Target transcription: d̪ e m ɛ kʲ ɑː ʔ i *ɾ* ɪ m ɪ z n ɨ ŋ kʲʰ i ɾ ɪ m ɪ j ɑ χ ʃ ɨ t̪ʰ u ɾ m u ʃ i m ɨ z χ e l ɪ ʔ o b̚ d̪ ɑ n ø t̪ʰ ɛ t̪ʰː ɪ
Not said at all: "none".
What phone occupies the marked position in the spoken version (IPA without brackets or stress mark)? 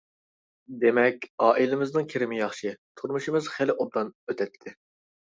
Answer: l